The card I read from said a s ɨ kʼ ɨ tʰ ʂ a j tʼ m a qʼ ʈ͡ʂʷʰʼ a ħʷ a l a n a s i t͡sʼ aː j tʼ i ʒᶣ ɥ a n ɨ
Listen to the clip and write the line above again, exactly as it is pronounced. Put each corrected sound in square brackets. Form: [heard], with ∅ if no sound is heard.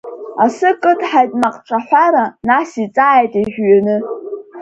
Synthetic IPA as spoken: a s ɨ kʼ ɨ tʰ [ħ] a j tʼ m a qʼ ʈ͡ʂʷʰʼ a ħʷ a [ɾ] a n a s i t͡sʼ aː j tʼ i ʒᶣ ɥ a n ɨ